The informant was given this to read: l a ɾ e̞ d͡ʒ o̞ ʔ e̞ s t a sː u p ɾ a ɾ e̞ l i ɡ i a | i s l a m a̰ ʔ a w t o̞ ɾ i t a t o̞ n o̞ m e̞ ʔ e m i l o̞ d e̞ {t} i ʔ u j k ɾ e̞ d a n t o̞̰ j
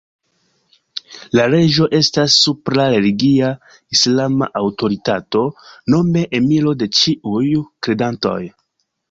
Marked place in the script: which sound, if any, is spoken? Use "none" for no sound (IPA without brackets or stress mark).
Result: t͡ʃ